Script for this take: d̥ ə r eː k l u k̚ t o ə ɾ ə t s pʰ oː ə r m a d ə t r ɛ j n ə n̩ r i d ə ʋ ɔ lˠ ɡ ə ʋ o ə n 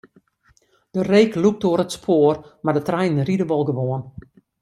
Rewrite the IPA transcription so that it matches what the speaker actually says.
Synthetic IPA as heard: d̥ ə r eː k l u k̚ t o ə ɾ ə t s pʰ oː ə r m a d ə t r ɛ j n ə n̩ r i d ə ʋ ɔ lˠ ɡ ə ʋ o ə n